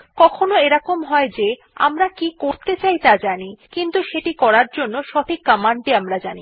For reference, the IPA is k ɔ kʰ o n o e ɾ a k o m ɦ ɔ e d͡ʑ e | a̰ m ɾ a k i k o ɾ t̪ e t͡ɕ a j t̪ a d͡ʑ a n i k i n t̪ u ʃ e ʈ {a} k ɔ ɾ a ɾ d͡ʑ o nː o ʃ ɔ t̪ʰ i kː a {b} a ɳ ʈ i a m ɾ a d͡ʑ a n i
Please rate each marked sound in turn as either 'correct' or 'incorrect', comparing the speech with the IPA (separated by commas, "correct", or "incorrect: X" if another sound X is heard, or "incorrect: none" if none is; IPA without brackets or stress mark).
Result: incorrect: i, incorrect: m